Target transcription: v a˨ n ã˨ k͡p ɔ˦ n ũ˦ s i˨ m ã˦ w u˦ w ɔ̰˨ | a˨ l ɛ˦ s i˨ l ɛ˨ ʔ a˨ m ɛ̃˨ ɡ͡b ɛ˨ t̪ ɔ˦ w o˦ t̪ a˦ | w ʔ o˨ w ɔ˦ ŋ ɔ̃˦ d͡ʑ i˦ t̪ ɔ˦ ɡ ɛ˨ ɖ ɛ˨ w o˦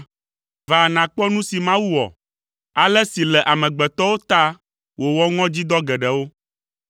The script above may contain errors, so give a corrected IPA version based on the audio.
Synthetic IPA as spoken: v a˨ n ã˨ k͡p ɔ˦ n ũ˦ s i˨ m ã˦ w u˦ w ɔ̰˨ | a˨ l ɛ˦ s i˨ l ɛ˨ ʔ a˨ m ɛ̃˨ ɡ͡b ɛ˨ t̪ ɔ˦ w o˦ t̪ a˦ | w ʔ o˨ w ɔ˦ ŋ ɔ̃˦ d͡ʑ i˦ d̪ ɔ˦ ɡ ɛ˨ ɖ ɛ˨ w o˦